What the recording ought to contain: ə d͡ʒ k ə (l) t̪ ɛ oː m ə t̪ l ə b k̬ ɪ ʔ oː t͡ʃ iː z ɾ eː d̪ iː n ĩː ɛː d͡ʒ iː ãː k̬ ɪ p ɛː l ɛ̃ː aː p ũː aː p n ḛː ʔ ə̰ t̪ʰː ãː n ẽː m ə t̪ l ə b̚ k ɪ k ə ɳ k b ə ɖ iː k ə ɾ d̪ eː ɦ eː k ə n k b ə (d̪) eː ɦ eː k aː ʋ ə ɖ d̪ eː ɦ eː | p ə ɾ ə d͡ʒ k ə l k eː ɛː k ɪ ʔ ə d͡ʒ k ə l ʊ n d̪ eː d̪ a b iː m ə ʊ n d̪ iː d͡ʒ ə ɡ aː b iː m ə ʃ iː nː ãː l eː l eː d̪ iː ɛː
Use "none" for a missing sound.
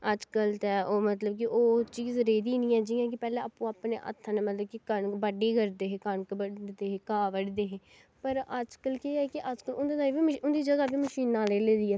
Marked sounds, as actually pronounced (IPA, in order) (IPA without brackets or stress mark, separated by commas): l, d̪